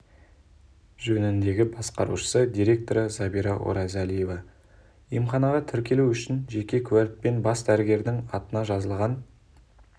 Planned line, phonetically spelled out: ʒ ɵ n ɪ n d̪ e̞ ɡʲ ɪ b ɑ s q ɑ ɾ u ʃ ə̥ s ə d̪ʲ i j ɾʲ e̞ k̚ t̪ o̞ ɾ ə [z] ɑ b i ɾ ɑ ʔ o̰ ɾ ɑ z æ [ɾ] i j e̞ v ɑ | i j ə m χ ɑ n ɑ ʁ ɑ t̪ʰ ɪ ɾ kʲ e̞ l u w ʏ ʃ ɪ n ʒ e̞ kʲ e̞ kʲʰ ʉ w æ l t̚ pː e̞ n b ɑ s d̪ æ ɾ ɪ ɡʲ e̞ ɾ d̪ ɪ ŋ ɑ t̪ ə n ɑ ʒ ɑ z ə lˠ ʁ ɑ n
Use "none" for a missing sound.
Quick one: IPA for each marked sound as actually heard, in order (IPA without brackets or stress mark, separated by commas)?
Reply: z, l